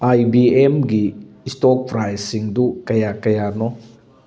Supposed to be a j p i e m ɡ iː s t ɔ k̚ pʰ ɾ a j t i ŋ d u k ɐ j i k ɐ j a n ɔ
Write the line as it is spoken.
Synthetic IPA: a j b i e m ɡ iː s t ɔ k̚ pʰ ɾ a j s i ŋ d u k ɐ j a k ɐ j a n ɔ